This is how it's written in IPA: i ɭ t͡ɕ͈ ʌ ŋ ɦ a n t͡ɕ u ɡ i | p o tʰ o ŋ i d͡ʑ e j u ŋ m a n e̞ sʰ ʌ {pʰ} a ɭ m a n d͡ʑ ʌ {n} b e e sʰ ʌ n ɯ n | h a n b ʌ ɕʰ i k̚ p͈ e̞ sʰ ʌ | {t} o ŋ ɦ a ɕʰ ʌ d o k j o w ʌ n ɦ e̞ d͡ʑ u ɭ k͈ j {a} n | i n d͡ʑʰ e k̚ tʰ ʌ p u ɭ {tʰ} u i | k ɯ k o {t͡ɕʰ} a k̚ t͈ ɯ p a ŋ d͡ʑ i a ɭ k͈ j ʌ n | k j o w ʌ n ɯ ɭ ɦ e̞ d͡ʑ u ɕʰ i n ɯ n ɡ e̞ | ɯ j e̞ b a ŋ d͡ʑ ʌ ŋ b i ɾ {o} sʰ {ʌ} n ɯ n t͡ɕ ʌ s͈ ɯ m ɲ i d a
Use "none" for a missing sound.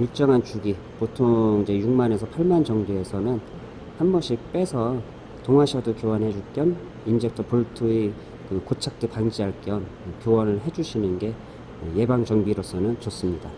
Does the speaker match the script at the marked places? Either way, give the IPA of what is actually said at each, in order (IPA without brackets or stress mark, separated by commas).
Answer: pʰ, ŋ, t, ʌ, tʰ, t͡ɕʰ, o, ʌ